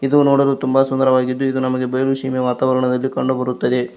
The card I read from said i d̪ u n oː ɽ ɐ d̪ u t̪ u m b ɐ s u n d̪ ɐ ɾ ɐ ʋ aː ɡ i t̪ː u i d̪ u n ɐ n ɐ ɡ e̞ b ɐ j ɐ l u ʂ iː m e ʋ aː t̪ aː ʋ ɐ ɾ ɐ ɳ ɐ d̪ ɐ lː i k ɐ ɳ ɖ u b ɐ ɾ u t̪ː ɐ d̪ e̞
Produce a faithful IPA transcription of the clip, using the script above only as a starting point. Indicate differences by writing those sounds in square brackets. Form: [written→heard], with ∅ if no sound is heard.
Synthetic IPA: i d̪ u n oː ɽ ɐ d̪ u t̪ u m b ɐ s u n d̪ ɐ ɾ ɐ ʋ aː ɡ i [t̪ː→d̪ː] u i d̪ u n ɐ [n→m] ɐ ɡ e̞ b ɐ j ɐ l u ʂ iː m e ʋ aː t̪ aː ʋ ɐ ɾ ɐ ɳ ɐ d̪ ɐ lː i k ɐ ɳ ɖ u b ɐ ɾ u t̪ː ɐ d̪ e̞